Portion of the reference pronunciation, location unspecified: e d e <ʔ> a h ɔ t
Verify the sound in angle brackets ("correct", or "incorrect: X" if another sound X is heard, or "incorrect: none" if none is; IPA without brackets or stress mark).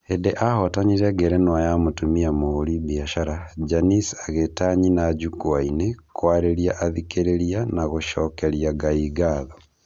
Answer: correct